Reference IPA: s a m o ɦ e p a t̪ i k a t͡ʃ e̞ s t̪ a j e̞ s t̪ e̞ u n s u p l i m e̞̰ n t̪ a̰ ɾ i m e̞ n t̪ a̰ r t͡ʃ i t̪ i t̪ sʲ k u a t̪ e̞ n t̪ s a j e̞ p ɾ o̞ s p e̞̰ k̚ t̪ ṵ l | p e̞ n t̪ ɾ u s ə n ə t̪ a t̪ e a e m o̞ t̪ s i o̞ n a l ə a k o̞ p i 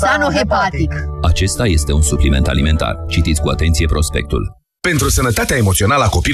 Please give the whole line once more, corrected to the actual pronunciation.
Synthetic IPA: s a n o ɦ e p a t̪ i k a t͡ʃ e̞ s t̪ a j e̞ s t̪ e̞ u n s u p l i m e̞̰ n t̪ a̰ l i m e̞ n t̪ a̰ r t͡ʃ i t̪ i t̪ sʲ k u a t̪ e̞ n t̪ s i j e̞ p ɾ o̞ s p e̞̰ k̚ t̪ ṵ l | p e̞ n t̪ ɾ u s ə n ə t̪ a t̪ e a e m o̞ t̪ s i o̞ n a l ə a k o̞ p i